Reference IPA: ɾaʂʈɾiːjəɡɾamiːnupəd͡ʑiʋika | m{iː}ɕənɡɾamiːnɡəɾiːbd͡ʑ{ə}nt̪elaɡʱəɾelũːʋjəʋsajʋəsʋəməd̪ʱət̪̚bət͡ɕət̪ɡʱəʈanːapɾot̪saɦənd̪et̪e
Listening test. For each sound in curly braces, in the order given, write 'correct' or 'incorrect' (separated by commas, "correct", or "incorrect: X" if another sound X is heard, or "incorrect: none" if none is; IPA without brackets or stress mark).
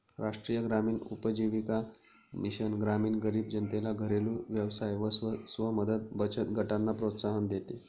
incorrect: i, correct